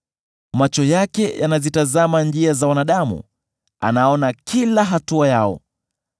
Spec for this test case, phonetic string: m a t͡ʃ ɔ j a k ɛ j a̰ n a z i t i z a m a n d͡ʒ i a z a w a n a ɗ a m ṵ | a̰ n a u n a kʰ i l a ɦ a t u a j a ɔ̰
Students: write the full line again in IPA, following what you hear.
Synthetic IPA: m a t͡ʃ ɔ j a k ɛ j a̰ n a z i t a z a m a n d͡ʒ i a z a w a n a ɗ a m ṵ | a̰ n a ɔ n a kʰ i l a ɦ a t u a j a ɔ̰